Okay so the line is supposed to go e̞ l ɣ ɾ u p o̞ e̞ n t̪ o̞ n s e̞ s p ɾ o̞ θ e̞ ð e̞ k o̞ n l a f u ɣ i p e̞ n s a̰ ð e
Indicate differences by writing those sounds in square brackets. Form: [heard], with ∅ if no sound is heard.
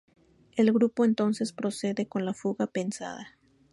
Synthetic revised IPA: e̞ l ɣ ɾ u p o̞ e̞ n t̪ o̞ n s e̞ s p ɾ o̞ [s] e̞ ð e̞ k o̞ n l a f u ɣ [a] p e̞ n s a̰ ð [a]